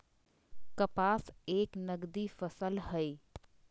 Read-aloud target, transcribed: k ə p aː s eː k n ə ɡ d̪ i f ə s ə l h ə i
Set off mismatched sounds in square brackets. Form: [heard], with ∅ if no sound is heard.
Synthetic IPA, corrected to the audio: k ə p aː s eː k n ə ɡ d̪ i f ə s ə l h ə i